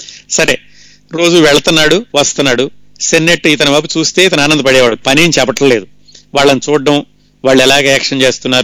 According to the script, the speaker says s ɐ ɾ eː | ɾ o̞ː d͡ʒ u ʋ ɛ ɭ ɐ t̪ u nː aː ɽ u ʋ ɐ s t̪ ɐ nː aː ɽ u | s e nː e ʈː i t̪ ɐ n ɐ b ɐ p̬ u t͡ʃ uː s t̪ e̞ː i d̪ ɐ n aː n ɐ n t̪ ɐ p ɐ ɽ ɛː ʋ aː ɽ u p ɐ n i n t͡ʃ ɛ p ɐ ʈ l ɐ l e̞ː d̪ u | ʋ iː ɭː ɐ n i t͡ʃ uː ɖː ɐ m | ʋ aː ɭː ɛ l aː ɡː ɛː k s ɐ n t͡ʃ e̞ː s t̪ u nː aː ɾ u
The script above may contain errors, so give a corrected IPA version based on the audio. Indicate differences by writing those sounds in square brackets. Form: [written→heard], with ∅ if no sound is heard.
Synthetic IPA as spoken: s ɐ ɾ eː | ɾ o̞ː d͡ʒ u ʋ ɛ ɭ ɐ t̪ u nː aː ɽ u ʋ ɐ s t̪ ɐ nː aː ɽ u | s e nː e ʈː i t̪ ɐ n ɐ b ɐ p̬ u t͡ʃ uː s t̪ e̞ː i [d̪→t̪] ɐ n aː n ɐ n [t̪→d̪] ɐ p ɐ ɽ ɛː ʋ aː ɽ u p ɐ n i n t͡ʃ ɛ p ɐ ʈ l ɐ l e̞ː d̪ u | ʋ [iː→aː] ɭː ɐ n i t͡ʃ uː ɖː ɐ m | ʋ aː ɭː ɛ l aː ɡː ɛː k [s→ʂ] ɐ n t͡ʃ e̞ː s t̪ u nː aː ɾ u